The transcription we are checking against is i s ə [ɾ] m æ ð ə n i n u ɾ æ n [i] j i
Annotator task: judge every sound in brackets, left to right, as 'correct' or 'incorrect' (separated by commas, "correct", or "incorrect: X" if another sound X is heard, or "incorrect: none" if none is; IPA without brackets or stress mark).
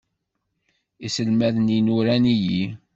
incorrect: l, correct